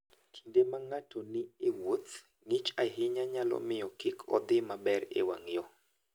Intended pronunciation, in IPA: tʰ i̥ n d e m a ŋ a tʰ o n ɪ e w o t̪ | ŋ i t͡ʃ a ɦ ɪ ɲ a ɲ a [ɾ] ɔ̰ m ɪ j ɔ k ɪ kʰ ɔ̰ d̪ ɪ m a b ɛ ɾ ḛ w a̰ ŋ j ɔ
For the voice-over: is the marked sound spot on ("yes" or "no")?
no